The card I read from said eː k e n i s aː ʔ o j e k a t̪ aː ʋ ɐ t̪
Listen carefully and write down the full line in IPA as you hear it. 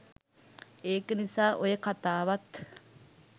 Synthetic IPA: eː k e n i s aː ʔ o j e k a t̪ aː ʋ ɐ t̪